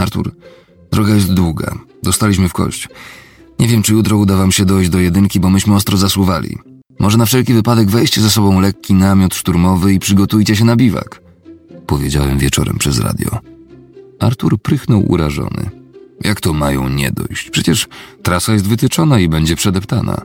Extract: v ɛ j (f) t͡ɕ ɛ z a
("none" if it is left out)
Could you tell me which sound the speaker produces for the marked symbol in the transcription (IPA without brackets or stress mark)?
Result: ɕ